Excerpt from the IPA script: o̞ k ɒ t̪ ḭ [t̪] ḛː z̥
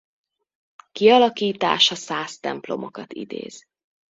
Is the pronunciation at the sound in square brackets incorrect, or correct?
incorrect